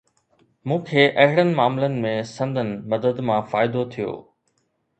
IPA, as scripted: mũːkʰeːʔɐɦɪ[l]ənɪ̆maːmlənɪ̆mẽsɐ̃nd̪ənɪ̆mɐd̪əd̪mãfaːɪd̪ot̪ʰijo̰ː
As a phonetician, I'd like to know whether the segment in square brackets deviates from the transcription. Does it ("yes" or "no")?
yes